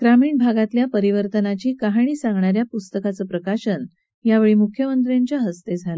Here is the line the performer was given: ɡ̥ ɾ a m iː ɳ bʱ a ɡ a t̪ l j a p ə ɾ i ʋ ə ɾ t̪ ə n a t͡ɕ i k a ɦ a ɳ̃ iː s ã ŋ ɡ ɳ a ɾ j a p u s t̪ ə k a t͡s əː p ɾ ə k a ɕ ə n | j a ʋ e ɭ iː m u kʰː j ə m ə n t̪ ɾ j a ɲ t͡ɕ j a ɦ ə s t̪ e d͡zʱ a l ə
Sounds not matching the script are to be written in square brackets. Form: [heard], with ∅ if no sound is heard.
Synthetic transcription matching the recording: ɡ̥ ɾ a m iː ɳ bʱ a ɡ a t̪ l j a p ə ɾ i ʋ ə ɾ t̪ ə n a t͡ɕ [iː] k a ɦ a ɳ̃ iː s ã ŋ ɡ ɳ a ɾ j a p u s t̪ ə k a t͡s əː p ɾ ə k a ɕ ə n | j a ʋ e ɭ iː m u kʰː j ə m ə n t̪ ɾ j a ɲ t͡ɕ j a ɦ ə s t̪ e d͡zʱ a l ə

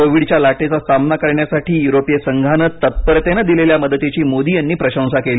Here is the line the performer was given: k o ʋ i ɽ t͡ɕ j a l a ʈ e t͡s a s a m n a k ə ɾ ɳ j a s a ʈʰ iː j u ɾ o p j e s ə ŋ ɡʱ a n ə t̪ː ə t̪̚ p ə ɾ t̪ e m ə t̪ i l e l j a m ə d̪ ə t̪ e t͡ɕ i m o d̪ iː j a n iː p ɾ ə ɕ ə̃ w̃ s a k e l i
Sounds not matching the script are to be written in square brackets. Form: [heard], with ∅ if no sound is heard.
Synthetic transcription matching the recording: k o ʋ i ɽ t͡ɕ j a l a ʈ e t͡s a s a m n a k ə ɾ ɳ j a s a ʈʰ iː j u ɾ o p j e s ə ŋ ɡʱ a n ə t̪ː ə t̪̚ p ə ɾ t̪ e [n] ə [d̪] i l e l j a m ə d̪ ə t̪ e t͡ɕ [iː] m o d̪ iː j a [nː] iː p ɾ ə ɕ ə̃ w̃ s a k e l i

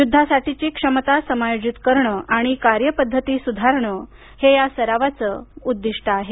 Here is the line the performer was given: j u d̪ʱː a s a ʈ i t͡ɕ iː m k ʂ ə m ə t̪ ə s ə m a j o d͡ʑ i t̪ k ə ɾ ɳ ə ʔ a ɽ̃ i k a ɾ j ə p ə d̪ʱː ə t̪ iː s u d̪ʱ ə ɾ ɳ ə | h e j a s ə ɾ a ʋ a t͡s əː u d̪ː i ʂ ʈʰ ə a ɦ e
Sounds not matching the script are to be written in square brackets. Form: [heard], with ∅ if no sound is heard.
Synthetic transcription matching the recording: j u d̪ʱː a s a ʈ i t͡ɕ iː [∅] k ʂ ə m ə t̪ [a] s ə m a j o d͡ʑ i t̪ k ə ɾ ɳ ə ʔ a ɽ̃ i k a ɾ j ə p ə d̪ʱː ə t̪ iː s u d̪ʱ [a] ɾ ɳ ə | h e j a s ə ɾ a ʋ a t͡s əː u d̪ː i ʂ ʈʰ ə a ɦ e

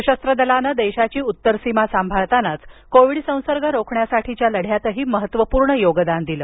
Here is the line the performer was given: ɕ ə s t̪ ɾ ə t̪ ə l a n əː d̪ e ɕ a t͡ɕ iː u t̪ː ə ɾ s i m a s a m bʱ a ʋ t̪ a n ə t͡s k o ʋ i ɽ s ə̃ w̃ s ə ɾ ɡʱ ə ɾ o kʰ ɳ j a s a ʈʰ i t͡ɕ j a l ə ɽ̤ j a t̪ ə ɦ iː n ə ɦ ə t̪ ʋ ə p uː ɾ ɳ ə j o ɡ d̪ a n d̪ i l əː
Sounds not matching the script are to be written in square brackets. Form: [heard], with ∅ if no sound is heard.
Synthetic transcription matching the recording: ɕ ə s t̪ ɾ ə [d̪] ə l a n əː d̪ e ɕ a t͡ɕ iː u t̪ː ə ɾ s i m a s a m bʱ a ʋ t̪ a n [a] t͡s k o ʋ i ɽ s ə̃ w̃ s ə ɾ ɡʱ ə ɾ o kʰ ɳ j a s a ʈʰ i t͡ɕ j a l ə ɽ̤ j a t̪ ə ɦ iː [m] ə ɦ ə t̪ ʋ ə p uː ɾ ɳ ə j o ɡ d̪ a n d̪ i l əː

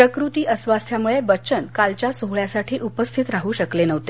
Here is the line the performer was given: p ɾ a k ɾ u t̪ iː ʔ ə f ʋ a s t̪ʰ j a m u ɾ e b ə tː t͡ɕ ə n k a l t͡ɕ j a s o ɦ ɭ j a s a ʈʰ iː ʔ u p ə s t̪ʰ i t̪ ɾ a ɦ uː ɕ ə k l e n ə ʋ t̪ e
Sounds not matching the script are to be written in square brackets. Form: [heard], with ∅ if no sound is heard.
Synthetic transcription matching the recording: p ɾ [ə] k ɾ u t̪ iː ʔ ə [s] ʋ a s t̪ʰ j a m u [ɭ] e b ə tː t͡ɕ ə n k a l t͡ɕ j a s o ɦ ɭ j a s a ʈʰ iː ʔ u p ə s t̪ʰ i t̪ ɾ a ɦ uː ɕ ə k l e n ə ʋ t̪ e

